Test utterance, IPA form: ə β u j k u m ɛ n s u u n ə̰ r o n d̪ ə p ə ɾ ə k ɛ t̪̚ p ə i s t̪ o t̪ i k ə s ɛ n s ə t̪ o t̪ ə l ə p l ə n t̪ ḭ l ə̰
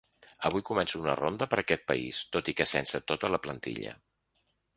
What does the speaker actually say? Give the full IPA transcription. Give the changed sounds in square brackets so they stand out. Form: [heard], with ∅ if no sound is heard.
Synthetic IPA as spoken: ə β u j k u m ɛ n s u u n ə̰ r o n d̪ ə p ə ɾ ə k ɛ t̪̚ p ə i s t̪ o t̪ i k ə s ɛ n s ə t̪ o t̪ ə l ə p l ə n t̪ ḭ [ʎ] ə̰